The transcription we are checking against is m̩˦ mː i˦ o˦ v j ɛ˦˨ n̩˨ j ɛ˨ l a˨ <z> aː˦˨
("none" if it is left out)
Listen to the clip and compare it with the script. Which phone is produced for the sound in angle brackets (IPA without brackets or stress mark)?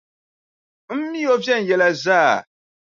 z